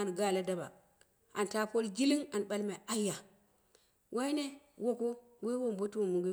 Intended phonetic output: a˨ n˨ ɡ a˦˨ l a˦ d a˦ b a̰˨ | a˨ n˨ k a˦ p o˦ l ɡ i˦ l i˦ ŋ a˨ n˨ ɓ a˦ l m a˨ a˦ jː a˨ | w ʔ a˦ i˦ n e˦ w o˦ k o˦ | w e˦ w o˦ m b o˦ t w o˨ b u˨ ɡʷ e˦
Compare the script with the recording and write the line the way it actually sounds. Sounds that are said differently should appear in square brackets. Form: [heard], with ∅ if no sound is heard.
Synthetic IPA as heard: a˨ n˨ ɡ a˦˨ l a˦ d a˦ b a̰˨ | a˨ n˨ [t] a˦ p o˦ l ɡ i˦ l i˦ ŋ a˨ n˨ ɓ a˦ l m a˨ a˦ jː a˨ | w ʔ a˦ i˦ n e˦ w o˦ k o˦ | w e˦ w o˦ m b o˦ t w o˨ [m] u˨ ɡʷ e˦

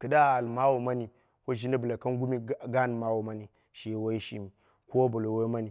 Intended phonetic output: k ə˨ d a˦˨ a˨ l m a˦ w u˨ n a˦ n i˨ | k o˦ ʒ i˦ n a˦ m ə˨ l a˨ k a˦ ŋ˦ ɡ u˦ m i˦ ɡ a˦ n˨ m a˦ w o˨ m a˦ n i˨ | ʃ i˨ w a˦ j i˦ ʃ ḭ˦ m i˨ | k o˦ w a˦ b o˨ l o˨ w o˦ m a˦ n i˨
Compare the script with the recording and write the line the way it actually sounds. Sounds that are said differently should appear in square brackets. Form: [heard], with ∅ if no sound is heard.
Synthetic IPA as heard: k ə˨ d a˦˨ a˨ l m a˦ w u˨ [m] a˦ n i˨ | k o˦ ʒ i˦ n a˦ [b] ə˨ l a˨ k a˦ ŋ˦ ɡ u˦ m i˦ ɡ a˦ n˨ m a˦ w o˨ m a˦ n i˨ | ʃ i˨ w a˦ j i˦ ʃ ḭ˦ m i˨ | k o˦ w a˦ b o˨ l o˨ w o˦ m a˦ n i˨

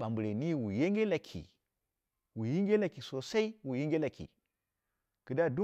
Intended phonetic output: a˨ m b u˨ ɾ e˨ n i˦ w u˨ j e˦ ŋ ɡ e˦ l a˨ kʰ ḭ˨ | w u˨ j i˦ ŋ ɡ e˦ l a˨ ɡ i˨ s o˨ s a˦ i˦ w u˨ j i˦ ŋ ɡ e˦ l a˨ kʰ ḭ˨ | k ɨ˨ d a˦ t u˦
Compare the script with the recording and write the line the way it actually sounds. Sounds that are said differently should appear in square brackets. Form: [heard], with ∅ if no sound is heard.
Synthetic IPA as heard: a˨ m b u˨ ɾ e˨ n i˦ w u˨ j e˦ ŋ ɡ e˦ l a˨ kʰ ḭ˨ | w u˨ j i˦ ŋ ɡ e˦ l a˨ [k] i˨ s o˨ s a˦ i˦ w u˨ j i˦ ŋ ɡ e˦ l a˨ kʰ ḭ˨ | k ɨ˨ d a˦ [d] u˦

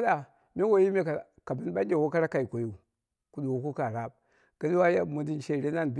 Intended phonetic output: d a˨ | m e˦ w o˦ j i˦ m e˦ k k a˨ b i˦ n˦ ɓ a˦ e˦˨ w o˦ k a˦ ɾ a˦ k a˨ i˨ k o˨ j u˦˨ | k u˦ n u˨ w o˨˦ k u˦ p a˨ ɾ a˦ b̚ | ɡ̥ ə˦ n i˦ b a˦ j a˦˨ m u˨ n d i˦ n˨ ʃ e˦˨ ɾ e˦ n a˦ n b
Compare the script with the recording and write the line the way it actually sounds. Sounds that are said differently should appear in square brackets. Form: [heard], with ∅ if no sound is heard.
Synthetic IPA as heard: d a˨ | m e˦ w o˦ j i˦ m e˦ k k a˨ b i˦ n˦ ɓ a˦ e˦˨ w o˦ k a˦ ɾ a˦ k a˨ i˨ k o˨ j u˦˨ | k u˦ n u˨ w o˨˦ k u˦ [k] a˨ ɾ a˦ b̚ | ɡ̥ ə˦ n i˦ [w] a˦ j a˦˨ m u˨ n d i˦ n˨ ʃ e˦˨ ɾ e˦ n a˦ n b

